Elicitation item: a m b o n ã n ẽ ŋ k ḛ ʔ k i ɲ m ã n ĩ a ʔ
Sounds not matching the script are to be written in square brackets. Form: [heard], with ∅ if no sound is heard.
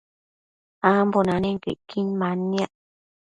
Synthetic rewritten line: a m b o n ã n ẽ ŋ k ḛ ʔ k i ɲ m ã n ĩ a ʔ